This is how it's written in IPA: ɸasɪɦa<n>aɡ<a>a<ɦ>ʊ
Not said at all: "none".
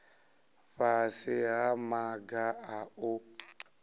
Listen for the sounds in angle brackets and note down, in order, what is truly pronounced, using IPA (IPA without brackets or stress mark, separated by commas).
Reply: m, a, none